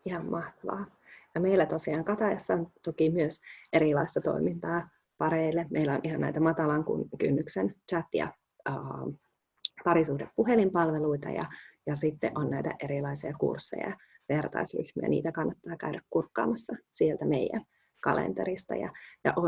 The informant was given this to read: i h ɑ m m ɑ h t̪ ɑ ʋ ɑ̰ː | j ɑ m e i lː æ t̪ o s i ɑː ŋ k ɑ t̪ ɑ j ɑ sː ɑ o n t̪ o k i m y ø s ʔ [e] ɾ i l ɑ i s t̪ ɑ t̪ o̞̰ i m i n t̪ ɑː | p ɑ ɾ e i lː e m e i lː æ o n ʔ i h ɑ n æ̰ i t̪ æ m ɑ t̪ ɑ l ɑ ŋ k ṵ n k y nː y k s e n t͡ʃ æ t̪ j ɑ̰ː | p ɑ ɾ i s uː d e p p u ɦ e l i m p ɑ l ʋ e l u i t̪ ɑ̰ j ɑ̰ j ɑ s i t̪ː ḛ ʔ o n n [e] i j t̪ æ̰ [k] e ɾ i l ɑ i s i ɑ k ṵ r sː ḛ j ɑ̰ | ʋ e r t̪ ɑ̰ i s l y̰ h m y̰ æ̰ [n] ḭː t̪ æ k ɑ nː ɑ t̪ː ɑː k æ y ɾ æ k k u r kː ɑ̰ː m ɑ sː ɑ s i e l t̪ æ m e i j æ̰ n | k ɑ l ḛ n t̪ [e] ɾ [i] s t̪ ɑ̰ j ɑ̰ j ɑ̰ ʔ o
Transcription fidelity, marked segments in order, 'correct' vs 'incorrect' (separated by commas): correct, incorrect, incorrect, correct, correct, correct